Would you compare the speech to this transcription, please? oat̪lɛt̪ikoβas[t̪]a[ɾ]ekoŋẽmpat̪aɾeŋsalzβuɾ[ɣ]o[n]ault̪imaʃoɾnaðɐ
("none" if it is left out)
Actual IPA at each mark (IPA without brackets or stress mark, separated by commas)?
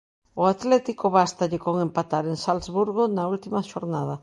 t̪, ʎ, ɣ, n